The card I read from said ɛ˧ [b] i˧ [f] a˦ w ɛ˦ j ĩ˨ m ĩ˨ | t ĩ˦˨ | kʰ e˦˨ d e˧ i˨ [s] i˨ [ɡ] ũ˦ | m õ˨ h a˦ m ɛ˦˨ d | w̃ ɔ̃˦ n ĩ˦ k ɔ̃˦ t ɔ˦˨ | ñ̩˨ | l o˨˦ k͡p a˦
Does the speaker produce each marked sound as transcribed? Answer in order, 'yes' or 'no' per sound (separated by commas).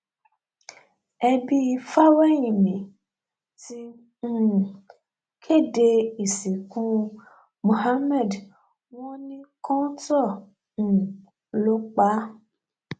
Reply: yes, yes, yes, no